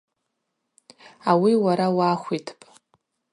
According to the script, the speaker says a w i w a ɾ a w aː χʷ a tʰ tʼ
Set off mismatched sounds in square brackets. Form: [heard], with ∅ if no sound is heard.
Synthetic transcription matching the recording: a w i w a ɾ a w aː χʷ [i] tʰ [pʼ]